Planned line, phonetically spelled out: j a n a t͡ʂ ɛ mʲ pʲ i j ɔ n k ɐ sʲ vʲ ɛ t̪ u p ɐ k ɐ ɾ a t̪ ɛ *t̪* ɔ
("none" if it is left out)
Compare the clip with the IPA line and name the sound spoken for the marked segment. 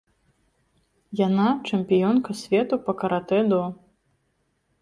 d̪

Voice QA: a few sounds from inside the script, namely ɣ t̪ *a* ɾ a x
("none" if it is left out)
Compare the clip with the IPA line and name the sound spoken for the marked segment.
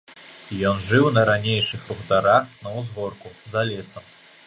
a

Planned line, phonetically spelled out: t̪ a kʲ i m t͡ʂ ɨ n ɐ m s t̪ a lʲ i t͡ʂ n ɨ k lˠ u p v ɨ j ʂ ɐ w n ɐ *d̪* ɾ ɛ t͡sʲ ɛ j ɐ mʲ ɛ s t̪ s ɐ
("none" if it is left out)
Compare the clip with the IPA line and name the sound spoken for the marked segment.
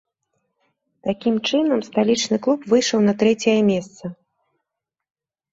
t̪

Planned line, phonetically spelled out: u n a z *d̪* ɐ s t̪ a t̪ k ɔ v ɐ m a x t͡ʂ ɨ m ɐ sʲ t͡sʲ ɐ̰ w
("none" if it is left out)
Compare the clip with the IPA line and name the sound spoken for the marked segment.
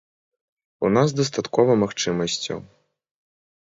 d̪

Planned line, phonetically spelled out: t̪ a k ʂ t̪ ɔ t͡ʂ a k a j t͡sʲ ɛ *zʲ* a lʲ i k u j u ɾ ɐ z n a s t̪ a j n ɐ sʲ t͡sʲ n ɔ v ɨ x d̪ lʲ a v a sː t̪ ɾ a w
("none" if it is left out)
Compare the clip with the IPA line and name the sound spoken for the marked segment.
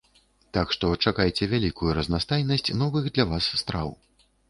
vʲ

